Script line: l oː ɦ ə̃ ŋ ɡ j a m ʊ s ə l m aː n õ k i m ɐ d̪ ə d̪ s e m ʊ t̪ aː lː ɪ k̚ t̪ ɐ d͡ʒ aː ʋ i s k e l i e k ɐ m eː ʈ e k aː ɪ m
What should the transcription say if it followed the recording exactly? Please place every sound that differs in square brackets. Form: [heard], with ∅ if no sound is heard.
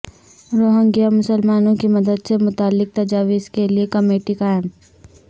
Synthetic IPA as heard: [ɾ] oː ɦ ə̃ ŋ ɡ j a m ʊ s ə l m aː n õ k i m ɐ d̪ ə d̪ s e m ʊ t̪ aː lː ɪ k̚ t̪ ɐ d͡ʒ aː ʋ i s k e l i e k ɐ m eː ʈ [i] k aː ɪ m